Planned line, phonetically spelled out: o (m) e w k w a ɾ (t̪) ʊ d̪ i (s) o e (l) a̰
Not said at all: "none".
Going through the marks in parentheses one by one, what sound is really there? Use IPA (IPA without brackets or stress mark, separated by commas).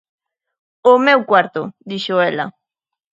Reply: m, t̪, ʃ, l